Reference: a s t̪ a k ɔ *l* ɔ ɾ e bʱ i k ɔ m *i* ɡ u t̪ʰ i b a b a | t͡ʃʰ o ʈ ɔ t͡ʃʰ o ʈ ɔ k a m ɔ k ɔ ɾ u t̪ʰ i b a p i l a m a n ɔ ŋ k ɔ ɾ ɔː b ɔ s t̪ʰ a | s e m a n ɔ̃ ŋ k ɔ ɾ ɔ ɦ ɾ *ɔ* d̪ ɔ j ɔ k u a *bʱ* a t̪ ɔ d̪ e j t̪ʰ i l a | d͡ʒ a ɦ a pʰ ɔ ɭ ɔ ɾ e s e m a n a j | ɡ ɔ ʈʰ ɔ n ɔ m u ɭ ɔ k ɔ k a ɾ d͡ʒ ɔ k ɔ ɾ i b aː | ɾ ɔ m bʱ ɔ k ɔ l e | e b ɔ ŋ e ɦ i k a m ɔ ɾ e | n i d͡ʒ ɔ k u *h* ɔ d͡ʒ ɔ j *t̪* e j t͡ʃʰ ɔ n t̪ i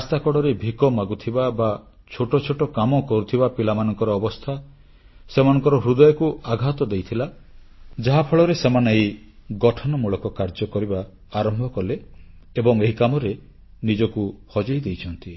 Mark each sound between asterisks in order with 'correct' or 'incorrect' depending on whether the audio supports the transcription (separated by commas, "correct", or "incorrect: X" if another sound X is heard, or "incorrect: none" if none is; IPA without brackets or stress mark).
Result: incorrect: ɽ, incorrect: a, incorrect: u, incorrect: ɡʱ, correct, incorrect: d̪